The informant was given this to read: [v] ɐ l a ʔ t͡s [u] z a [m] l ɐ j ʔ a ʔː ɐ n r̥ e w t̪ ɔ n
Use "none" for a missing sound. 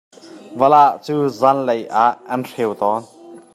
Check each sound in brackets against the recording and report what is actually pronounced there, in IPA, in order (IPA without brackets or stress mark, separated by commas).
v, uː, n